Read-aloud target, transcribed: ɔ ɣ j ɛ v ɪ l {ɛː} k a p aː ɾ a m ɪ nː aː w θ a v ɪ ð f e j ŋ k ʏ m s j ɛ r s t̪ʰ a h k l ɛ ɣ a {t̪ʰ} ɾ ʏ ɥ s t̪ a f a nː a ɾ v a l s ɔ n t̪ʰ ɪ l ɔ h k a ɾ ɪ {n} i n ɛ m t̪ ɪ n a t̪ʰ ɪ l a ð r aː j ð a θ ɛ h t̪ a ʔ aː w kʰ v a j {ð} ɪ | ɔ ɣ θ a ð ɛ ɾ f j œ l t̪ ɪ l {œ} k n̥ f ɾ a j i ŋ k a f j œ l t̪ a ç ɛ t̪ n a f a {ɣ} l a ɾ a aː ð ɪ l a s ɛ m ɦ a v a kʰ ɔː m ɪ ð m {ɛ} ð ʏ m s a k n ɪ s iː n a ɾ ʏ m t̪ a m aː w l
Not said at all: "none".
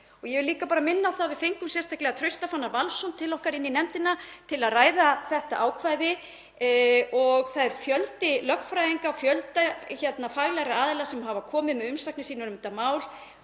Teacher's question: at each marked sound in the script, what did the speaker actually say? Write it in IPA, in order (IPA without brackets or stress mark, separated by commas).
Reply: iː, t̪ʰ, nː, ð, œ, ɣ, ɛ